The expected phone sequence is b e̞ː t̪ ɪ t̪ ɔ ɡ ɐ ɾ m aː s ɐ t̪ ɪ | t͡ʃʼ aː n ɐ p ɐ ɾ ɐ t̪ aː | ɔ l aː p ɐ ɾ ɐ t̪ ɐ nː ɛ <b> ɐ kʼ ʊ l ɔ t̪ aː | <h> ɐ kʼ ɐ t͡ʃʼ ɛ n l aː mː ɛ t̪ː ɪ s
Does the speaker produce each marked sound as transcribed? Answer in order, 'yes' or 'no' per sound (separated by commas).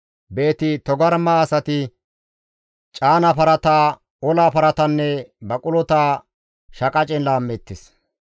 yes, no